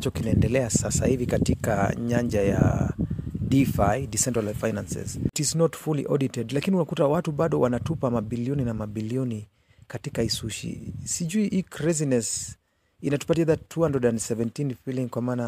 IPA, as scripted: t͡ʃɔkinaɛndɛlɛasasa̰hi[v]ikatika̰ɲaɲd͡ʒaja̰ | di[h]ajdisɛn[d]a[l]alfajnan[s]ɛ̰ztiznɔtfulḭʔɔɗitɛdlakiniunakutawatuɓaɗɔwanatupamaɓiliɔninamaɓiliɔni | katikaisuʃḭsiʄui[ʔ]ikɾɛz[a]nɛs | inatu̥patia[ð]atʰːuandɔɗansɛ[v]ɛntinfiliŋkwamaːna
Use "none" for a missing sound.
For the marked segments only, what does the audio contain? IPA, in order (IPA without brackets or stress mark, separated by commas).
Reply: v, f, t, l, s, ʔ, i, ð, v